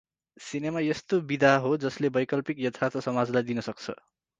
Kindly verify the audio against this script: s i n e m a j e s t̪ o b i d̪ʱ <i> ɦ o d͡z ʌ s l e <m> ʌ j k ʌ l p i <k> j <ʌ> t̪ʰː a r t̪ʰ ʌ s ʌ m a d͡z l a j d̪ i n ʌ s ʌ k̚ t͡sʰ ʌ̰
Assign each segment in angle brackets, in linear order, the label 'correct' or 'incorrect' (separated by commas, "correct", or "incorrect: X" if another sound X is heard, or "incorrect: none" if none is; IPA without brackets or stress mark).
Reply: incorrect: a, incorrect: b, correct, correct